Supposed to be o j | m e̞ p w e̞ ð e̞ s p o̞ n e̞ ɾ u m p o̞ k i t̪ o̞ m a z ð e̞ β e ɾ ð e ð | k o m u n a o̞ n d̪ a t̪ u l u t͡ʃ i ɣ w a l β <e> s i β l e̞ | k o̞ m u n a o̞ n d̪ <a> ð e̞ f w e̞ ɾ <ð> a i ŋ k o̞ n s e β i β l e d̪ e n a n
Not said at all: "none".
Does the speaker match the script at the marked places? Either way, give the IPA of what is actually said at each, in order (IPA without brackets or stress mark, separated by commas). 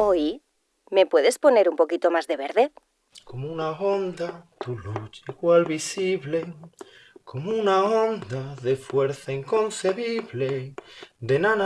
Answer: i, a, θ